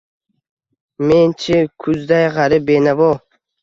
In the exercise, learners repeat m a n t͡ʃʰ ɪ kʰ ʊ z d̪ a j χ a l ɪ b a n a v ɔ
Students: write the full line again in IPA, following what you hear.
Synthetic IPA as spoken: m e n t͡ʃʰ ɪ kʰ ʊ z d̪ a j ʁ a ɾ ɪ b e n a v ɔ